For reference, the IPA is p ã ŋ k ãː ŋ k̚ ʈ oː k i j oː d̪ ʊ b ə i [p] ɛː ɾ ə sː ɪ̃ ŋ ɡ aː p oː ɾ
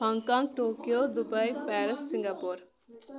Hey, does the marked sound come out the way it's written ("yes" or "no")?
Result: yes